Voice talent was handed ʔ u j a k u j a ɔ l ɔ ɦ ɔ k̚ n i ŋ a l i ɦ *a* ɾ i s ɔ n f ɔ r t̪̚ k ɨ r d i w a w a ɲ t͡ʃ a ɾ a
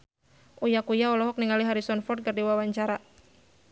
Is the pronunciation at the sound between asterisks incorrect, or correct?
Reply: correct